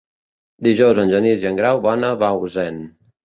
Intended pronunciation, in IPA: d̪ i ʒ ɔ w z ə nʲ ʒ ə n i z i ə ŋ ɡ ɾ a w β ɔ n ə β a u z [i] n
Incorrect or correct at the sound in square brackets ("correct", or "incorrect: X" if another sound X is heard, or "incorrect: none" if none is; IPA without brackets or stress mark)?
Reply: incorrect: ɛ